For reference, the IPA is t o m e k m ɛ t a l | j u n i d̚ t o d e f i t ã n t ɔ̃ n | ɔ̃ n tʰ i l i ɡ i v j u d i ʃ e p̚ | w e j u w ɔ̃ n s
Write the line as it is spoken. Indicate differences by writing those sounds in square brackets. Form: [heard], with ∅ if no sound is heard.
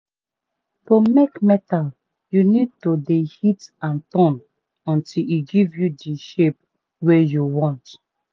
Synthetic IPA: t o m e k m ɛ t a l | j u n i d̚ t o d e [h] i t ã n t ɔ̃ n | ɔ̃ n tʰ i l i ɡ i v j u d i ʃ e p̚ | w e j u w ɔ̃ n [t]